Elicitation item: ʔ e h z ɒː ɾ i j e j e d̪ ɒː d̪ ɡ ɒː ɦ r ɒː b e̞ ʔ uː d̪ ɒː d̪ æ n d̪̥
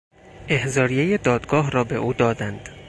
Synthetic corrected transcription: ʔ e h z ɒː ɾ i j e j e d̪ ɒː d̪ ɡ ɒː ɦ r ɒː b e̞ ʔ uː d̪ ɒː d̪ æ n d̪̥